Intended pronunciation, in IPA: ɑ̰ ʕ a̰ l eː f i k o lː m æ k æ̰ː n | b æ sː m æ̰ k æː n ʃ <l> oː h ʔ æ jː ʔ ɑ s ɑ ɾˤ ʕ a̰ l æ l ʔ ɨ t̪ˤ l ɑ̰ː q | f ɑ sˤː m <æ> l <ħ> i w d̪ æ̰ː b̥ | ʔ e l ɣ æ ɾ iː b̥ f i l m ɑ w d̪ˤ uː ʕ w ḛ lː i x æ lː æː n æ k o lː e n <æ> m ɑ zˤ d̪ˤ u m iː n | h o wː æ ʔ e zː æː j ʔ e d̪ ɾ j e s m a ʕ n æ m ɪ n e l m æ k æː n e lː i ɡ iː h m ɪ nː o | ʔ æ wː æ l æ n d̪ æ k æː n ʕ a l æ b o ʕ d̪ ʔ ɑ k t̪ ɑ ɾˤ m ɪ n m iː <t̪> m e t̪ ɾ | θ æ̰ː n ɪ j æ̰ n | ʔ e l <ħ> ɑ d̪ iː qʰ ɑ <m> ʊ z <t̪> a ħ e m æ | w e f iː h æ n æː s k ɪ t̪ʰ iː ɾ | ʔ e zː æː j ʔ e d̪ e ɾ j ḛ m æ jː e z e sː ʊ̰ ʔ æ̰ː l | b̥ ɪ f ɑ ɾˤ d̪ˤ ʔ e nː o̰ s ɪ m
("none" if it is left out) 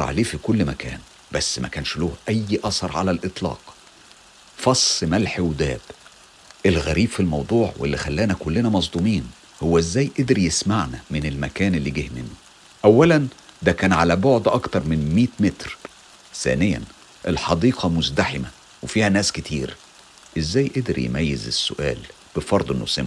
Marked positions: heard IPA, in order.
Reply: l, æ, ħ, æ, t̪, ħ, m, d̪

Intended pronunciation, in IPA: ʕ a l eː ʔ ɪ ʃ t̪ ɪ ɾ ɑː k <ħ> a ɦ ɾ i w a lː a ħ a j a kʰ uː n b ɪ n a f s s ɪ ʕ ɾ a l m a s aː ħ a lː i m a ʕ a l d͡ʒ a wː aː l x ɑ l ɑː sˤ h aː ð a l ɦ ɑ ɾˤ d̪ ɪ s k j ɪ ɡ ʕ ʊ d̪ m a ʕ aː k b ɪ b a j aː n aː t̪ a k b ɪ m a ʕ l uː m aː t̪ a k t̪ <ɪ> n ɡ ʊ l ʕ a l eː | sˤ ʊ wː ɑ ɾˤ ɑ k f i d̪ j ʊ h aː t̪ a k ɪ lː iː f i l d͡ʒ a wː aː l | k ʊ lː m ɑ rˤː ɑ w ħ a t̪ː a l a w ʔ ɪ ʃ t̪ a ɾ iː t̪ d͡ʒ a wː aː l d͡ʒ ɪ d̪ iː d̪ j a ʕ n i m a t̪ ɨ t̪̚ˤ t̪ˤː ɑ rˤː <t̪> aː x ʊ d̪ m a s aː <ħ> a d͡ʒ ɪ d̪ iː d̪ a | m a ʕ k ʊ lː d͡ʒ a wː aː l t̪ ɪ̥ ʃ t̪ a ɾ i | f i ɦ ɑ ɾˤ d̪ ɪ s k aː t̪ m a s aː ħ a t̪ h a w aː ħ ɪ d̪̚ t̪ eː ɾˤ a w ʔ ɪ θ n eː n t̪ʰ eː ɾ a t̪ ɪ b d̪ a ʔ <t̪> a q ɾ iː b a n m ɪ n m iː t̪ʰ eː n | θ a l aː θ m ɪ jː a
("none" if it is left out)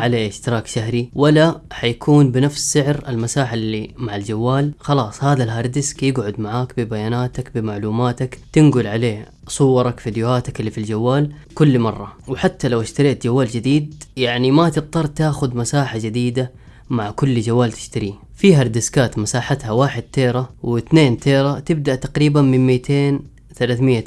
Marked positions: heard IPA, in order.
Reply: ʃ, ɪ, t̪, ħ, t̪

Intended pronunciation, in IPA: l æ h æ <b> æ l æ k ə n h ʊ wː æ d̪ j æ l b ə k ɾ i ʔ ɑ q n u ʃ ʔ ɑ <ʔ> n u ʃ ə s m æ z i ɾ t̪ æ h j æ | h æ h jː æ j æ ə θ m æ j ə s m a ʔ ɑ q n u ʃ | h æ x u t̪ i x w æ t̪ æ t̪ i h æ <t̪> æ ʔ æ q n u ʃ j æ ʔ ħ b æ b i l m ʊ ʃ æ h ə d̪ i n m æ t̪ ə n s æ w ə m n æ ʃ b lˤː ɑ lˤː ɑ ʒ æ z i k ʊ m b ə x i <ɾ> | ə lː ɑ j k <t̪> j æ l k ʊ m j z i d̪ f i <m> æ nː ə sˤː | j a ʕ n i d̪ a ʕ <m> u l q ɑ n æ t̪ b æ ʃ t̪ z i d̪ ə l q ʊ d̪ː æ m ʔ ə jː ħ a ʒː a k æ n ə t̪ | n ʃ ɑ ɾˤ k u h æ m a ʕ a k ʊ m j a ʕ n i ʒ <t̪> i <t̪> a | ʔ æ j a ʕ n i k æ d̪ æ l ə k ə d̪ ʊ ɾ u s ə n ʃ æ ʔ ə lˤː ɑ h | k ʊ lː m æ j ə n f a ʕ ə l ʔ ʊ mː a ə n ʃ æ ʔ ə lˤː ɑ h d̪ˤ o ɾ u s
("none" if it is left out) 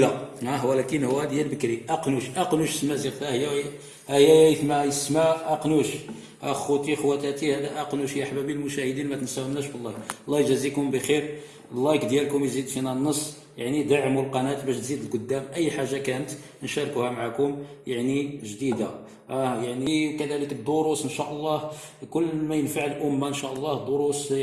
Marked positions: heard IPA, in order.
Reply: w, q, d̪, ɾ, d̪, n, m, d̪, d̪

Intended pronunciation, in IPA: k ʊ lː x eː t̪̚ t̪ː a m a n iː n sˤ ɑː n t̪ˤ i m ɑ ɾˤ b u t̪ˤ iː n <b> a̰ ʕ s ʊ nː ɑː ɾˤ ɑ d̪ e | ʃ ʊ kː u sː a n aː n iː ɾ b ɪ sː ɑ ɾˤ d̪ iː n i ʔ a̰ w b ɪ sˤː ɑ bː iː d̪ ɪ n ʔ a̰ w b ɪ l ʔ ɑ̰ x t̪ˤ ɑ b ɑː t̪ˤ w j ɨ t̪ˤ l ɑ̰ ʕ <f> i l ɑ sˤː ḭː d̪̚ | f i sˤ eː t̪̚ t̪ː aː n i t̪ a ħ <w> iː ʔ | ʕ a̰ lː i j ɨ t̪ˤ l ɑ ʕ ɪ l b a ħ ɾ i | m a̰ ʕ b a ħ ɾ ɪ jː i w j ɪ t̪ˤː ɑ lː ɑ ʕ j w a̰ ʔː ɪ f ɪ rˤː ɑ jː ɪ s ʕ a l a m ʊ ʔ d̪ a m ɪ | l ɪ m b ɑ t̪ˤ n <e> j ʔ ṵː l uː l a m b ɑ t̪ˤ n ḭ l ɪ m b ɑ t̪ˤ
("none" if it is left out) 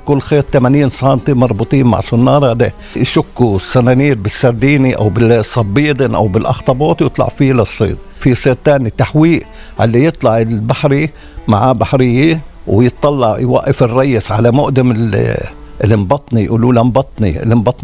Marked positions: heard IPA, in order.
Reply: m, f, w, i

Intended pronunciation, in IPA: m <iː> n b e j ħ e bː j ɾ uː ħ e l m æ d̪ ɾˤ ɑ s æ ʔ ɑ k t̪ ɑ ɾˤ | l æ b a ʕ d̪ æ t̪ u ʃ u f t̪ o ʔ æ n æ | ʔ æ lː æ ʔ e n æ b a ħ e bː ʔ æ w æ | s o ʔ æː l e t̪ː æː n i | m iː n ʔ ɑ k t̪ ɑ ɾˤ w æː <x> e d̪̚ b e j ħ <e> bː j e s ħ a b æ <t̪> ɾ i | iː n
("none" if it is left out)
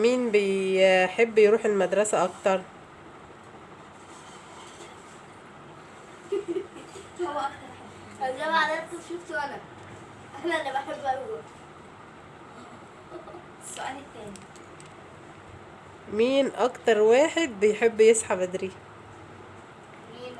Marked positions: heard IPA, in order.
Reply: iː, ħ, e, d̪

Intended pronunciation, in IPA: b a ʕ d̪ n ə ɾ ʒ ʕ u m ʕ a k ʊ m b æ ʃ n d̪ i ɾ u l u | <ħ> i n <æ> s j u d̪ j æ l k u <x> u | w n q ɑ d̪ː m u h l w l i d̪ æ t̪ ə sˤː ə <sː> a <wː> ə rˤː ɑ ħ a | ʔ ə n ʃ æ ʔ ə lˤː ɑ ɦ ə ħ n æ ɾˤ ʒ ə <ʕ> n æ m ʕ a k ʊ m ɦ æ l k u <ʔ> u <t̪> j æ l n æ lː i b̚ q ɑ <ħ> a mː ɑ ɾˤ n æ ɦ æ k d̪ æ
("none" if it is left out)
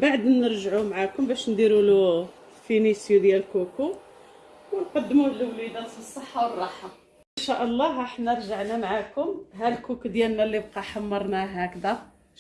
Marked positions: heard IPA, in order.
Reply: f, i, k, ħː, w, ʕ, k, d̪, ħ

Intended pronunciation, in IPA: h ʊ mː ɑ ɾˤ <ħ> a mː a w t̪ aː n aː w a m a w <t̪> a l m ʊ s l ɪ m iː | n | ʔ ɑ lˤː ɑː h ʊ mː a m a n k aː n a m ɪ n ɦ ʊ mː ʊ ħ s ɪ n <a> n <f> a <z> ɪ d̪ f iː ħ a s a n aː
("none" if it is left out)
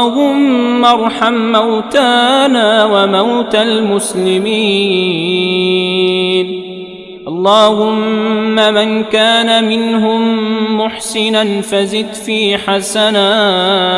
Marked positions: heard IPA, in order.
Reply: ħ, t̪, a, f, z

